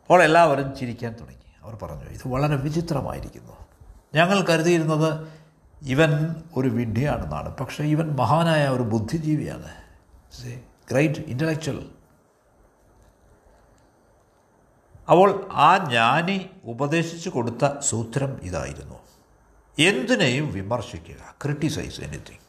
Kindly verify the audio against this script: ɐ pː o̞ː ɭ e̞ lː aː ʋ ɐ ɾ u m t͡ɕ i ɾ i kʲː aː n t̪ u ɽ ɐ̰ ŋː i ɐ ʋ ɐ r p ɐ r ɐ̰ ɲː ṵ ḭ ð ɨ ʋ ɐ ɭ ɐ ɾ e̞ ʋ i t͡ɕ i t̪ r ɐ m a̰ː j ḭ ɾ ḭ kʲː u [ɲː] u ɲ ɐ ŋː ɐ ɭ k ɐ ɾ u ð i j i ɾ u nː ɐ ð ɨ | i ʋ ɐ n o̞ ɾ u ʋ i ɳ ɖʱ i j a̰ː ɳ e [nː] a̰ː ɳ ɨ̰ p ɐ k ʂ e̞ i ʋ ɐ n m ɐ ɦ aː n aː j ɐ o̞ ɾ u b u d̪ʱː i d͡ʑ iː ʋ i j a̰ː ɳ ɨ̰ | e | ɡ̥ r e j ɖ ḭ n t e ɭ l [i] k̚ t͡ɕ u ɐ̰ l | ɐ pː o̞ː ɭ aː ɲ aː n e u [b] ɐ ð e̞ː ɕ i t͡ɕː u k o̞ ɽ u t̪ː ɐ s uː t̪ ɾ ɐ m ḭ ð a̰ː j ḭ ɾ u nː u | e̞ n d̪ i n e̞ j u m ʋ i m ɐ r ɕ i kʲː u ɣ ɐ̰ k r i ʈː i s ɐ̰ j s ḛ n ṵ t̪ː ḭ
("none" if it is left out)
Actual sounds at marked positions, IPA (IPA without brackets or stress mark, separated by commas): nː, nː, e, b